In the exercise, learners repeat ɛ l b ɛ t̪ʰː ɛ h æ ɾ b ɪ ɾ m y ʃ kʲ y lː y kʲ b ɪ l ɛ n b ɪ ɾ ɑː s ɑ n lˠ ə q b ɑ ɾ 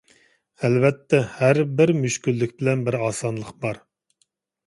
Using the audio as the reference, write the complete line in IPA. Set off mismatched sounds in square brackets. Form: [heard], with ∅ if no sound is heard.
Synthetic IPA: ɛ l [v] ɛ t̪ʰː ɛ h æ ɾ b ɪ ɾ m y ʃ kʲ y lː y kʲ b ɪ l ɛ n b ɪ ɾ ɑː s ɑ n lˠ ə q b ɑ ɾ